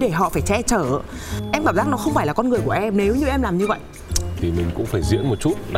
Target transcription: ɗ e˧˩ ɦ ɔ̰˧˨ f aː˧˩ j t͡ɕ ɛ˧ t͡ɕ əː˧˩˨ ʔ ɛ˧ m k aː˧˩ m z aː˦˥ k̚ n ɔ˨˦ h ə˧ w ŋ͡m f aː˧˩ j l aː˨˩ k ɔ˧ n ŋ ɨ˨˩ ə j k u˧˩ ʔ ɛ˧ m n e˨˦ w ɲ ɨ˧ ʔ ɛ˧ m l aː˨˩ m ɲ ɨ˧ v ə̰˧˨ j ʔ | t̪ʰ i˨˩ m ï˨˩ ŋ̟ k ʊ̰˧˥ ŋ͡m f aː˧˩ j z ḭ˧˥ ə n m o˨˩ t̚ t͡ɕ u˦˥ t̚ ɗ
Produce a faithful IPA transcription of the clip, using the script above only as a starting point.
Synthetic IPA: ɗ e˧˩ ɦ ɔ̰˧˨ f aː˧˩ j t͡ɕ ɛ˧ t͡ɕ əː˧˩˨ ʔ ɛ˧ m k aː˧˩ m z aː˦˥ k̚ n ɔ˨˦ x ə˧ w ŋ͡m f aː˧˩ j l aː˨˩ k ɔ˧ n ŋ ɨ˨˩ ə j k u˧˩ ʔ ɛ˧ m n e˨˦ w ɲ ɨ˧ ʔ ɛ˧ m l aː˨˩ m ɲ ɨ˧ v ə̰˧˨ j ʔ | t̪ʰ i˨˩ m ï˨˩ ŋ̟ k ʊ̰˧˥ ŋ͡m f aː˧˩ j z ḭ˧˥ ə n m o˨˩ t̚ t͡ɕ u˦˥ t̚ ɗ